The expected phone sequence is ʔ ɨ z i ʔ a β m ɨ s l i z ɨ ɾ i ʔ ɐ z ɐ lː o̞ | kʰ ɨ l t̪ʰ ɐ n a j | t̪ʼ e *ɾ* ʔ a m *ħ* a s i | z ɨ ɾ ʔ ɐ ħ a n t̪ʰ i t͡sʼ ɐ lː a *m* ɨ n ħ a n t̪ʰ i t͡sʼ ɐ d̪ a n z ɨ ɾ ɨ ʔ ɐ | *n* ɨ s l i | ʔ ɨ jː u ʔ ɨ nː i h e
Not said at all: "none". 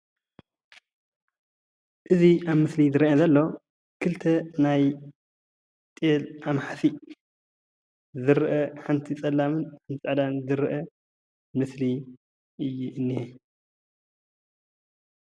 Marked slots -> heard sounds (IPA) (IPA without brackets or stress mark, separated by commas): l, ħ, m, m